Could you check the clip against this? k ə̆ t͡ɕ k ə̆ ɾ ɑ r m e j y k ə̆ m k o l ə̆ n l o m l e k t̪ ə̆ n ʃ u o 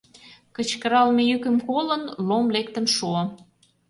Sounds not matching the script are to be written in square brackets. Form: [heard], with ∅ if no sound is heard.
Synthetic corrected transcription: k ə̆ t͡ɕ k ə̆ ɾ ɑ [l] m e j y k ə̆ m k o l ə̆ n l o m l e k t̪ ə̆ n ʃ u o

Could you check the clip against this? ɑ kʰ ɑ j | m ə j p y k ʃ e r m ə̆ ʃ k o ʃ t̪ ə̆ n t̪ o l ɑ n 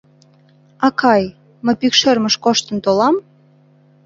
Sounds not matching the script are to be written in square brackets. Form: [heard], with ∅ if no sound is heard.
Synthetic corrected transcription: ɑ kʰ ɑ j | m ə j p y k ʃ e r m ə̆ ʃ k o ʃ t̪ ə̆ n t̪ o l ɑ [m]

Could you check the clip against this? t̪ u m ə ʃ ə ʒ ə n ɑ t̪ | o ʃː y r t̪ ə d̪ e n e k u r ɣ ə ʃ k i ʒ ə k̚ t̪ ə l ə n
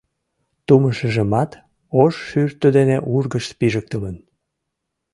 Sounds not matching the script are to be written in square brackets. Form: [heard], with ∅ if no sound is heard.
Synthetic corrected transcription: t̪ u m ə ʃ ə ʒ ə [m] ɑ t̪ | o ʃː y r t̪ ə d̪ e n e [ʔ] u r ɣ ə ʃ [p] i ʒ ə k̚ t̪ ə l ə n

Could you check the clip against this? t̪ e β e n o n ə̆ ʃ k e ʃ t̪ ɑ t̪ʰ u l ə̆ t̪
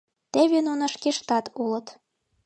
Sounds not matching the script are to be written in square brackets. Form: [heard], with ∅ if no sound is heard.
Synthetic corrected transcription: t̪ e β e n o n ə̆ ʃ k e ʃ t̪ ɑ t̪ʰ u l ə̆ t̪

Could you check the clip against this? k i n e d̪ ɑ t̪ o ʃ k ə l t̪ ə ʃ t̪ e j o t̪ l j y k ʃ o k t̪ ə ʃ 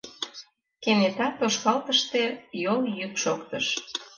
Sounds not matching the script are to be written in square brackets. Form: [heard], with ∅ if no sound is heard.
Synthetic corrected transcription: k [e] n e [t̪] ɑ t̪ o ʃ k [ɑ] l t̪ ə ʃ t̪ e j o [∅] l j y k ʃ o k t̪ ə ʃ

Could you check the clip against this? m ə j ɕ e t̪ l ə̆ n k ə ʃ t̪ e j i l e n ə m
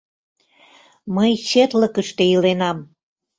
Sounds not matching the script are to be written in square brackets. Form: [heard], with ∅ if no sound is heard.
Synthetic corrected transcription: m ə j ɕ e t̪ l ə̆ [∅] k ə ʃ t̪ e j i l e n [ɑ] m

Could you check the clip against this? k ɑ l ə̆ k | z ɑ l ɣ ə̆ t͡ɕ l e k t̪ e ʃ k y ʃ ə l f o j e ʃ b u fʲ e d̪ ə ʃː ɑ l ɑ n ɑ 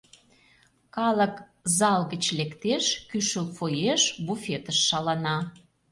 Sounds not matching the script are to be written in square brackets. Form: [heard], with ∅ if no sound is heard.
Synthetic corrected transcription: k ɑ l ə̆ k | z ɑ l ɣ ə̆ t͡ɕ l e k t̪ e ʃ k y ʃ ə l f o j e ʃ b u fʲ e [t̪] ə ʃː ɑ l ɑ n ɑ

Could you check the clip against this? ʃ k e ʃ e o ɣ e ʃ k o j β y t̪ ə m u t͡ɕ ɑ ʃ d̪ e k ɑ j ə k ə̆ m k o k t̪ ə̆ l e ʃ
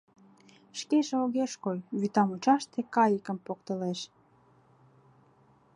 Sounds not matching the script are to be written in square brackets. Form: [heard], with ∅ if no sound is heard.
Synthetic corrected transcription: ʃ k e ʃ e o ɣ e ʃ k o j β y t̪ [ɑ] m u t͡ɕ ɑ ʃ [t̪] e k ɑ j ə k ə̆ m [p] o k t̪ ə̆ l e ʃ

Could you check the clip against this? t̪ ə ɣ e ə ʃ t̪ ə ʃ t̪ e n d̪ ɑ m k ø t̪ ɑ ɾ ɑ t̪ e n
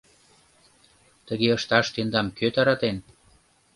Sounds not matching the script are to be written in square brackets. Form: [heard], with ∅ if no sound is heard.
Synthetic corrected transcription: t̪ ə ɣ e ə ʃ t̪ [ɑ] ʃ t̪ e n d̪ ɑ m k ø t̪ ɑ ɾ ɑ t̪ e n

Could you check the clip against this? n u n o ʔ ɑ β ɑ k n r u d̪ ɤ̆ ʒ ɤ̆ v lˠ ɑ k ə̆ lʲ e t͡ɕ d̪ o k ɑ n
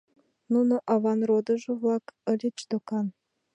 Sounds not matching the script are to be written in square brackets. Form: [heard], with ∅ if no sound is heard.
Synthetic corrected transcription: n u n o ʔ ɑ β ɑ [∅] n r [o] d̪ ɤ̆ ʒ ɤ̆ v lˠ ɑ k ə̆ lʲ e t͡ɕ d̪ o k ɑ n

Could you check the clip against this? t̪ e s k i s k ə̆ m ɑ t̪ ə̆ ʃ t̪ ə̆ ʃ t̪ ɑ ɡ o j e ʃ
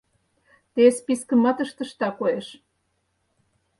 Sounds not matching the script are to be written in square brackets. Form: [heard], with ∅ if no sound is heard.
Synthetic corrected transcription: t̪ e s [p] i s k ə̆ m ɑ t̪ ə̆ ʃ t̪ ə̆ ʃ t̪ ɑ [k] o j e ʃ

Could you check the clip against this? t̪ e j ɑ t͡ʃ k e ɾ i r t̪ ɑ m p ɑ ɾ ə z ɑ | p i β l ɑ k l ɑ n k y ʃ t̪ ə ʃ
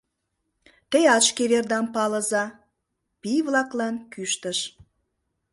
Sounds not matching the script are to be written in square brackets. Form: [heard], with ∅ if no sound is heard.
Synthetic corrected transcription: t̪ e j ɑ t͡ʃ k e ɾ [e] r [d̪] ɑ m p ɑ [l] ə z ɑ | p i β l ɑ k l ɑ n k y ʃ t̪ ə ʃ

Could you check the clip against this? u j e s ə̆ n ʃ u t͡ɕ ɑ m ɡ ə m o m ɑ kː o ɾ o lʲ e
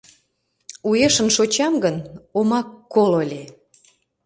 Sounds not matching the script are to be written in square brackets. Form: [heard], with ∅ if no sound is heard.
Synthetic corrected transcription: u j e [ʃ] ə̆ n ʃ [o] t͡ɕ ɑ m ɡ ə [n] o m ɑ kː o [l] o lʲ e

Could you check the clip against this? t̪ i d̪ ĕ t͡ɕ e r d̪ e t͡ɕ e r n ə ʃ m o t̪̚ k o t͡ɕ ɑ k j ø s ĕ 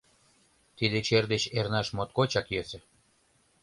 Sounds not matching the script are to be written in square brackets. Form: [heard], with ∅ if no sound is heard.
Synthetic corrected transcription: t̪ i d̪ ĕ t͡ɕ e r d̪ e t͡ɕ e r n [ɑ] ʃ m o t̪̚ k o t͡ɕ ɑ k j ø s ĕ

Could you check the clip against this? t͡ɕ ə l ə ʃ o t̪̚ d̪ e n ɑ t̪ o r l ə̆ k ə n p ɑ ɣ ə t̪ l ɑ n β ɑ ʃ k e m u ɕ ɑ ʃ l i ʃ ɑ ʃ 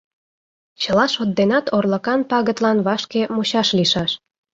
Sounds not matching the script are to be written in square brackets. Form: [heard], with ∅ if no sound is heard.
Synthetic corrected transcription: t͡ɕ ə l [ɑ] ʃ o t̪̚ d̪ e n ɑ t̪ o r l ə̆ k [ɑ] n p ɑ ɣ ə t̪ l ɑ n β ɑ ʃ k e m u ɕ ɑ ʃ l i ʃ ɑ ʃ

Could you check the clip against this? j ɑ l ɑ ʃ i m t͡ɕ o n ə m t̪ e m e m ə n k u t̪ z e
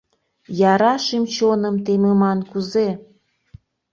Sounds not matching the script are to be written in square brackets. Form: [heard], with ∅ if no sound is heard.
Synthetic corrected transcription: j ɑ [ɾ] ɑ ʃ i m t͡ɕ o n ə m t̪ e m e m [ɑ] n k u [∅] z e

